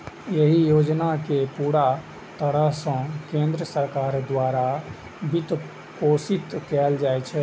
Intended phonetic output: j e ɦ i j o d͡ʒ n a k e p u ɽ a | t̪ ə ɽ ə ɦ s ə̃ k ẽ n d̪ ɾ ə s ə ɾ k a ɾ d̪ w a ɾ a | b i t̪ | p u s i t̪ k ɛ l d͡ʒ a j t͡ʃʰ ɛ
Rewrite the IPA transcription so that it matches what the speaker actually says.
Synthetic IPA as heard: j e ɦ i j o d͡ʒ n a k e p u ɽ a | t̪ ə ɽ ə ɦ s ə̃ k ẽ n d̪ ɾ ə s ə ɾ k a ɾ d̪ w a ɾ a | b i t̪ | p o s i t̪ k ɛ l d͡ʒ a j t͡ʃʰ ɛ